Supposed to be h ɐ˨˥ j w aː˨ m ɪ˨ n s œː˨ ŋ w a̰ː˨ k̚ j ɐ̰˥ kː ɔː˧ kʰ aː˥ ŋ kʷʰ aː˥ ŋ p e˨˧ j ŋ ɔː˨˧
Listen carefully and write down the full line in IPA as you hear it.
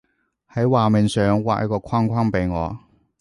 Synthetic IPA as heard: h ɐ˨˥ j w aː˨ m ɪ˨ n s œː˨ ŋ w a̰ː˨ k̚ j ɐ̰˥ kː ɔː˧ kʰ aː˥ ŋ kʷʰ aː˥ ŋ p e˨˧ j ŋ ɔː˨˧